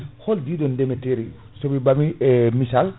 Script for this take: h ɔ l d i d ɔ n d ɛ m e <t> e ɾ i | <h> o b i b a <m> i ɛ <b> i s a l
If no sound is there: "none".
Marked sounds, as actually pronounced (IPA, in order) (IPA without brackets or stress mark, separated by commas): t, s, m, m